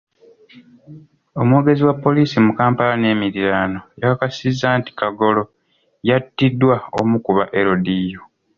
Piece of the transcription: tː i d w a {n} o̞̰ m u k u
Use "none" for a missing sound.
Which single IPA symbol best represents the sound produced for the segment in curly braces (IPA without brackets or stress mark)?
none